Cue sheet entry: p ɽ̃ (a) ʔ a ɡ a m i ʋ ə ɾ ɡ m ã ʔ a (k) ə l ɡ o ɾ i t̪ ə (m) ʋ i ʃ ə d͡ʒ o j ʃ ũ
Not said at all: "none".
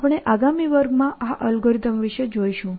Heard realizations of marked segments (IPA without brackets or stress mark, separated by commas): e, ʔ, m